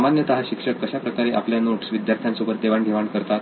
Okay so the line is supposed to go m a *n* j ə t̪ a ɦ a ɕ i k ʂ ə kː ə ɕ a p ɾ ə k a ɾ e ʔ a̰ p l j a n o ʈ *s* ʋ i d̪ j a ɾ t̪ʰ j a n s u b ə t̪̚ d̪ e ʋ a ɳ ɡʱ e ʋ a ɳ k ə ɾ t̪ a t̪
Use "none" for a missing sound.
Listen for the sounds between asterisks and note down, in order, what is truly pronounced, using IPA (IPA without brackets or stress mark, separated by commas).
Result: n, s